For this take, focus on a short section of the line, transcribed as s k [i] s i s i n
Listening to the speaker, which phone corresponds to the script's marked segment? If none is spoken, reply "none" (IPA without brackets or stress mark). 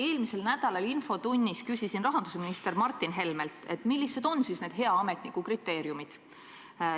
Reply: y